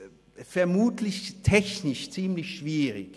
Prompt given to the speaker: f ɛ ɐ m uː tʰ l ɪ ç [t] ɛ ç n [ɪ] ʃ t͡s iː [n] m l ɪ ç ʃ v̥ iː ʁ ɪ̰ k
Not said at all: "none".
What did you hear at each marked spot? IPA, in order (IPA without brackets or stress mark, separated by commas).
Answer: tʰ, ɪ, none